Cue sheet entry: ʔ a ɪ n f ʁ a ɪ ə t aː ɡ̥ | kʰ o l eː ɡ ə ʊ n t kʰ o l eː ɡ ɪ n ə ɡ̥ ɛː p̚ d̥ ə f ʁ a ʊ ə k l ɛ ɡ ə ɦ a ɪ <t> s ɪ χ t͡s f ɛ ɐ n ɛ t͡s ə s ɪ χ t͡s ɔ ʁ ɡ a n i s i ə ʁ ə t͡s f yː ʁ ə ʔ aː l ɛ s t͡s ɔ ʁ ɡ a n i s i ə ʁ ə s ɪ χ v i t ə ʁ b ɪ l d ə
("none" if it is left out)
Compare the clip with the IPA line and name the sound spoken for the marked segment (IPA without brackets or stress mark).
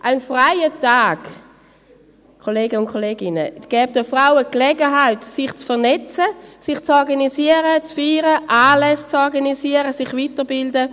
t